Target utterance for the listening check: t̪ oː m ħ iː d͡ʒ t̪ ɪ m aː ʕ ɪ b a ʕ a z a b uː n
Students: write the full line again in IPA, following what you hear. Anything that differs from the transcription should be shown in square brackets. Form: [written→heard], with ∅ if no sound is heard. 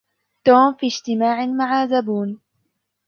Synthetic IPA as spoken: t̪ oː m [ħ→f] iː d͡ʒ t̪ ɪ m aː ʕ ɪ [b→m] a ʕ a z a b uː n